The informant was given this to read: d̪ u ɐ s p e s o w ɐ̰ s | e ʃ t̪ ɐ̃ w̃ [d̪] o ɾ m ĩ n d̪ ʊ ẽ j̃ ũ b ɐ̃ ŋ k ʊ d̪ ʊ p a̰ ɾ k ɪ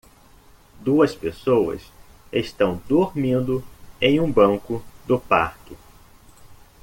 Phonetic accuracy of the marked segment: correct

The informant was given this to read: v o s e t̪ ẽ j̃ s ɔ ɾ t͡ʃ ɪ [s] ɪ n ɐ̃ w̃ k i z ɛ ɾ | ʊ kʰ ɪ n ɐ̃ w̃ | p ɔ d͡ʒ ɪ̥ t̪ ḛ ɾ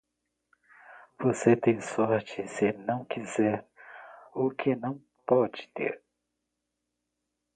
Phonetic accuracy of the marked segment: correct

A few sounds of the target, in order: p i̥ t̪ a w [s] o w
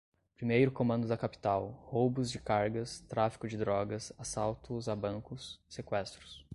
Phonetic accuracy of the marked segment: incorrect: h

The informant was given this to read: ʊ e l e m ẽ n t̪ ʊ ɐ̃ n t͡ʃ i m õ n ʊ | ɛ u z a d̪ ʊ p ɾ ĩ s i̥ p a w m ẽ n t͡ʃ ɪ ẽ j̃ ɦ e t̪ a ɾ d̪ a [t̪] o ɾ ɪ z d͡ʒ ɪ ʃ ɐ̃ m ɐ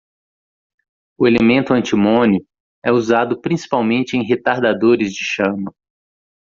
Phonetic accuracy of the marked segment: incorrect: d̪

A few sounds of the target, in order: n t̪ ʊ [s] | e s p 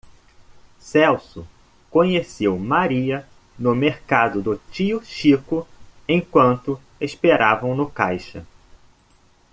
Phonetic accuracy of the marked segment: incorrect: none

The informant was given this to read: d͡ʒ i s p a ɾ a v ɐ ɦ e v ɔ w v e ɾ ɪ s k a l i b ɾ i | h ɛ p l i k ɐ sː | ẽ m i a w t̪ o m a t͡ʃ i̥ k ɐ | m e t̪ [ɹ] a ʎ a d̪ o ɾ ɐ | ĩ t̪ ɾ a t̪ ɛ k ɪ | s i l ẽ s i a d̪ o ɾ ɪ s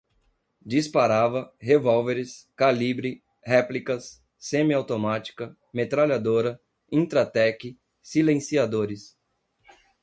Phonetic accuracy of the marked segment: incorrect: ɾ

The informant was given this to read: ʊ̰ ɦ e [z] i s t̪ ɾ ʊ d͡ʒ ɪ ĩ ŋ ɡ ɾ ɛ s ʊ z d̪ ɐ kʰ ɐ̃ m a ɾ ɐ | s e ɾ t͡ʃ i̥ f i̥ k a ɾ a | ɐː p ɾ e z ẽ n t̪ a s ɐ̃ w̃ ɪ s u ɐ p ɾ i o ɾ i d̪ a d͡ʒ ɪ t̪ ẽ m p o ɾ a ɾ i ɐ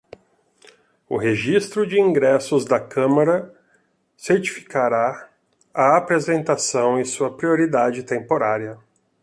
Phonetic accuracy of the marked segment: incorrect: ʒ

